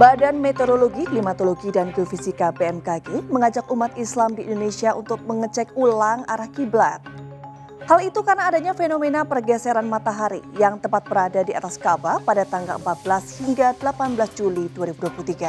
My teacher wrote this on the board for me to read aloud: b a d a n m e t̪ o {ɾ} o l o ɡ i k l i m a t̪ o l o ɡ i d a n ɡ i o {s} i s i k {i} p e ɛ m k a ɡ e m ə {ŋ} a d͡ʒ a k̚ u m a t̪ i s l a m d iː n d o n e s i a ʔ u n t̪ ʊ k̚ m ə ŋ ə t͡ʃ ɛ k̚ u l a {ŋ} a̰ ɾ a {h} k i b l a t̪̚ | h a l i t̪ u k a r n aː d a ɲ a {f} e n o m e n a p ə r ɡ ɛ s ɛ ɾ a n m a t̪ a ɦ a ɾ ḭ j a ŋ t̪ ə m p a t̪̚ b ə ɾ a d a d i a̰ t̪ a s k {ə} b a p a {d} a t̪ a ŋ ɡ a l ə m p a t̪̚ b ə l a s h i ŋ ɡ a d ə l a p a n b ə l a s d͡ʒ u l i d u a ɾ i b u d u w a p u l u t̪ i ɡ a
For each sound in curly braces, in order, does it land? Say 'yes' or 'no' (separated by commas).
yes, no, no, yes, yes, yes, yes, no, yes